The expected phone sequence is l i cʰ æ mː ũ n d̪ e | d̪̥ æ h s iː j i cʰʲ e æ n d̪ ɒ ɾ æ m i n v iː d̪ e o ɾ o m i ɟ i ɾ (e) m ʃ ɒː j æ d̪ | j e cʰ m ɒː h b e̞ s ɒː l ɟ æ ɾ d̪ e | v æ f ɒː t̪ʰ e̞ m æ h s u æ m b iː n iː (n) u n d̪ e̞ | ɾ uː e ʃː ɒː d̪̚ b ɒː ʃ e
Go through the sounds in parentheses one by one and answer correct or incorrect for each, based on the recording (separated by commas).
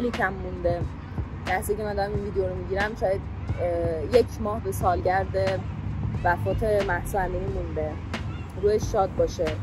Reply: incorrect, incorrect